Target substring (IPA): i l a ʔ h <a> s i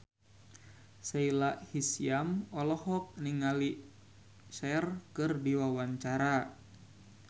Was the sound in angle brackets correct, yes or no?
no